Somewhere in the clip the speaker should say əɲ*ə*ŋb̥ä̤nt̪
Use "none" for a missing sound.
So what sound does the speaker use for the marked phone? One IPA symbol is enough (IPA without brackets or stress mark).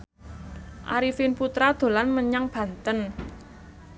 a